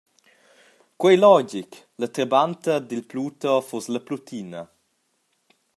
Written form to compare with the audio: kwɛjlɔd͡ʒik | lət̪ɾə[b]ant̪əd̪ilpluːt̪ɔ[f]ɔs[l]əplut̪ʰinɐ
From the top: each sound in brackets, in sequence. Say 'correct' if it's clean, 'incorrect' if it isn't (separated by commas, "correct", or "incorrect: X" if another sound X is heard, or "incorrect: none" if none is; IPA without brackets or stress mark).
correct, correct, correct